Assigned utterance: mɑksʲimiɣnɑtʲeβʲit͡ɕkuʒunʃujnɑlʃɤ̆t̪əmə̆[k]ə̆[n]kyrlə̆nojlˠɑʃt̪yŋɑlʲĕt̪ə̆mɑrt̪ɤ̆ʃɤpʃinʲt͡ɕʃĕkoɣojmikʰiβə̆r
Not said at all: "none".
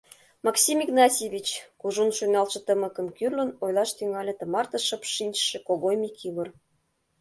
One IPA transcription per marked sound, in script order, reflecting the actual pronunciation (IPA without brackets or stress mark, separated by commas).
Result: k, m